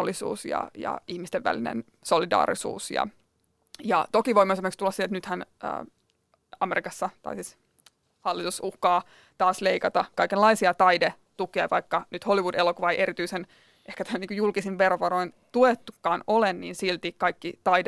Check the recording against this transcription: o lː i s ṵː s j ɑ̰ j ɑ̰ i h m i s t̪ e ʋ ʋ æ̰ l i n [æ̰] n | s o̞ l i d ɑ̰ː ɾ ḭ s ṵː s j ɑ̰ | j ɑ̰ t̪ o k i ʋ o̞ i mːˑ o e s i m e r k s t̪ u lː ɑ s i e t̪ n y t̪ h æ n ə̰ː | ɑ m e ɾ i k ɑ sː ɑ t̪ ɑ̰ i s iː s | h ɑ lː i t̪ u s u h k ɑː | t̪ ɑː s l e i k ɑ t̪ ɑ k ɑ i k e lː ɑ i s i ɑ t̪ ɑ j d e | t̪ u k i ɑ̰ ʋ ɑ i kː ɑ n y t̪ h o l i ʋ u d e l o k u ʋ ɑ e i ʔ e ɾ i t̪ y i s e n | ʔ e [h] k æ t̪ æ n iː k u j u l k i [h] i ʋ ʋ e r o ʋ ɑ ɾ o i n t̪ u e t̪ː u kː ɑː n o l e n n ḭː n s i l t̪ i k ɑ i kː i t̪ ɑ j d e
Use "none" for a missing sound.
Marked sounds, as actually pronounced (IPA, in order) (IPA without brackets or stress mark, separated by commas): ḛ, h, s